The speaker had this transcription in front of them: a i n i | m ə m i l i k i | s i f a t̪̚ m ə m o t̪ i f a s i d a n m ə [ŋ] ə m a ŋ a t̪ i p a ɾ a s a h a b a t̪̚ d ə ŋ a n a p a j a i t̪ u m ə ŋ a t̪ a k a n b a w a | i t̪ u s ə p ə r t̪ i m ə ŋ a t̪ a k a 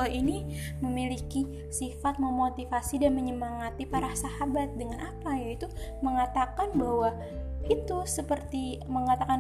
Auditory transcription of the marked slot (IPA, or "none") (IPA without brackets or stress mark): ɲ